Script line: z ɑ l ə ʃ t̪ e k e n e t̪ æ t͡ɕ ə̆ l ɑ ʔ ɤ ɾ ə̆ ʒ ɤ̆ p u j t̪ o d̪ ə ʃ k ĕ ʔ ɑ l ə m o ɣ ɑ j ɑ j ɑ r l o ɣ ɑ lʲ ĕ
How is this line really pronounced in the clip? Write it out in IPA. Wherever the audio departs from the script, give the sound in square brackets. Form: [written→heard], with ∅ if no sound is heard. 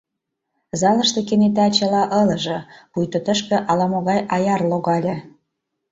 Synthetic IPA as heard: z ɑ l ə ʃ t̪ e k e n e t̪ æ t͡ɕ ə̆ l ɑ ʔ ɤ [ɾ→l] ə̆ ʒ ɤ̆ p u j t̪ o [d̪→t̪] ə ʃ k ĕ ʔ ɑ l [ə→ɑ] m o ɣ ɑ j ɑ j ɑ r l o ɣ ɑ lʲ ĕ